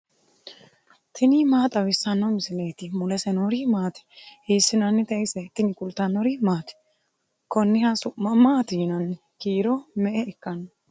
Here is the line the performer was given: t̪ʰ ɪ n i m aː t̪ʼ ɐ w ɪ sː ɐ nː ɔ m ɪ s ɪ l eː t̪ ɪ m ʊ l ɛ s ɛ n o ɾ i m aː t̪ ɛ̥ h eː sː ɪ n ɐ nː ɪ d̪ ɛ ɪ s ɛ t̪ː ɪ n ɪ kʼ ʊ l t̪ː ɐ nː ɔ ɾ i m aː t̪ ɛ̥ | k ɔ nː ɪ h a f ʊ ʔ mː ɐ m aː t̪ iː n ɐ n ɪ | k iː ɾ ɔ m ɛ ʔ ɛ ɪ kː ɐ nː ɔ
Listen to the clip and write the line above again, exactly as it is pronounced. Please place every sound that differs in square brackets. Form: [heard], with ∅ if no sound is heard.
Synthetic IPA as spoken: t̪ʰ ɪ n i m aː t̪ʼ ɐ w ɪ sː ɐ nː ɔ m ɪ s ɪ l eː t̪ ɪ m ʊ l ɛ s ɛ n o ɾ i m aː t̪ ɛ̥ h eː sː ɪ n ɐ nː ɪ [t̪] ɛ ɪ s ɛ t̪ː ɪ n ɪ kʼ ʊ l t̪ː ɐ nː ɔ ɾ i m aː t̪ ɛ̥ | k ɔ nː ɪ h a [s] ʊ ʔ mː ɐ m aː t̪ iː n ɐ n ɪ | k iː ɾ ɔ m ɛ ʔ ɛ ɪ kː ɐ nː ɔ